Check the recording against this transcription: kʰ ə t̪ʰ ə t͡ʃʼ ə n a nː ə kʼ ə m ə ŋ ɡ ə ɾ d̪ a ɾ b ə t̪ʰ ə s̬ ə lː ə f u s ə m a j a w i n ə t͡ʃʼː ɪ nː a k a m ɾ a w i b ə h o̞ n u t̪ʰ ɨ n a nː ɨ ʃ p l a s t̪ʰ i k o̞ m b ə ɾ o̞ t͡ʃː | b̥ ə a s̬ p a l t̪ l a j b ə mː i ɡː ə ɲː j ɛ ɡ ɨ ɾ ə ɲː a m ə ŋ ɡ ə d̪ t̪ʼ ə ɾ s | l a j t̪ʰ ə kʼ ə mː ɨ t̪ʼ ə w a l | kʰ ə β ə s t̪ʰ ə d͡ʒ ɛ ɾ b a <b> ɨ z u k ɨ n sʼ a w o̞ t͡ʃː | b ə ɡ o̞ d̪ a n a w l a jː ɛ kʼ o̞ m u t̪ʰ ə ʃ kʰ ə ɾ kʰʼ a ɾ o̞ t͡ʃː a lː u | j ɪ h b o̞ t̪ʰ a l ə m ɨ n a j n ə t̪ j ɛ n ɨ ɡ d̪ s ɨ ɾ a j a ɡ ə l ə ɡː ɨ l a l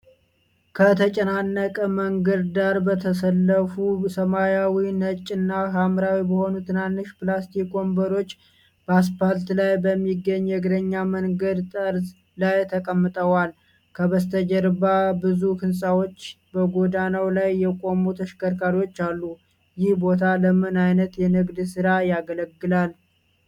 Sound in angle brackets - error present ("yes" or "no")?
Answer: no